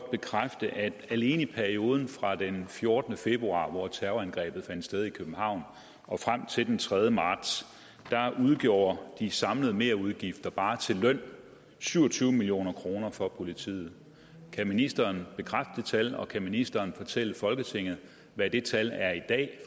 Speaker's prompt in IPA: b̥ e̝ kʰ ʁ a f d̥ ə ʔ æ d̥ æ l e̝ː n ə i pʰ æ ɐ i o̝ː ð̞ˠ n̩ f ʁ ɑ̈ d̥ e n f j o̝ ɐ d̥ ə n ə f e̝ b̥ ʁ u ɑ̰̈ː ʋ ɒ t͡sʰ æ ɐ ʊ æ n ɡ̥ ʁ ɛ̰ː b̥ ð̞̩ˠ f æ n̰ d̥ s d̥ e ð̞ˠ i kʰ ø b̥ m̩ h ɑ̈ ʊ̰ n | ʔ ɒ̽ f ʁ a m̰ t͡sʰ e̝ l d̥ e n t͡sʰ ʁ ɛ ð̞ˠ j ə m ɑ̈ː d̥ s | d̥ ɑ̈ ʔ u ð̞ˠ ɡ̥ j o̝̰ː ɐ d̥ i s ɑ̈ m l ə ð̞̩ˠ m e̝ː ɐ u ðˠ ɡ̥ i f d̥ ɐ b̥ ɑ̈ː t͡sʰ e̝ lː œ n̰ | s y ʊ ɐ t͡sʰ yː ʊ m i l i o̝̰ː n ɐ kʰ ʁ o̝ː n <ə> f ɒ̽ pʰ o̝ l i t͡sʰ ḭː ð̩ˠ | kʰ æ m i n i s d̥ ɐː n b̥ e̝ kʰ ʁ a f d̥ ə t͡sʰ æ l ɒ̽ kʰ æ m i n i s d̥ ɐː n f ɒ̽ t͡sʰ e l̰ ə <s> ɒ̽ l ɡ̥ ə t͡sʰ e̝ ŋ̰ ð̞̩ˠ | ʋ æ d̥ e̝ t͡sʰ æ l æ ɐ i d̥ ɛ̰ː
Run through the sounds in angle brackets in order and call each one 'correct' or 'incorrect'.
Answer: incorrect: ɐ, incorrect: f

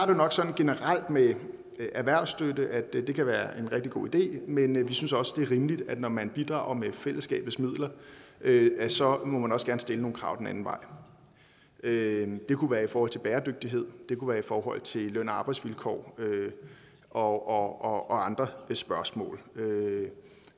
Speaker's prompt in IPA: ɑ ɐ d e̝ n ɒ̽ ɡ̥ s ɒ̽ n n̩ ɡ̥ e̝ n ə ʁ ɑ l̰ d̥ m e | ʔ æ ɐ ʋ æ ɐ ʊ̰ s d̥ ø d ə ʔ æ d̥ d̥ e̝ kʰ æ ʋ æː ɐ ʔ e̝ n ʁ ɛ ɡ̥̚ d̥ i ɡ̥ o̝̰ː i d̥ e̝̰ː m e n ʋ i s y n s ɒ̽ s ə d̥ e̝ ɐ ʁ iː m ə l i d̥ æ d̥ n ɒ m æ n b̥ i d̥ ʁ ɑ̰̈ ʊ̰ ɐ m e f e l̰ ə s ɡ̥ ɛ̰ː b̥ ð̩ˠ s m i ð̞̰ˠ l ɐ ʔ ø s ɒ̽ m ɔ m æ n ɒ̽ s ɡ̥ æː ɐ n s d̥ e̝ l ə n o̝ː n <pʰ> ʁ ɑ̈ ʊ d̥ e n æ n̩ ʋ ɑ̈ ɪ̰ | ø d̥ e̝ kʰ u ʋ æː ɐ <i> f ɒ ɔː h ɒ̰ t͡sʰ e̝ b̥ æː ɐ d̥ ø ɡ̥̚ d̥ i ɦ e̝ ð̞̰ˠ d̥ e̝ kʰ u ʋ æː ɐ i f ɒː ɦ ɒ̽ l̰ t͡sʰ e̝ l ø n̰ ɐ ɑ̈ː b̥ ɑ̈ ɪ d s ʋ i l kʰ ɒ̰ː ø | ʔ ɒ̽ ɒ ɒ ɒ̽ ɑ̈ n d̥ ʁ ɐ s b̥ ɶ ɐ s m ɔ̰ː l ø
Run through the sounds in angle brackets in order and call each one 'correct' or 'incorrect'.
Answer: incorrect: kʰ, correct

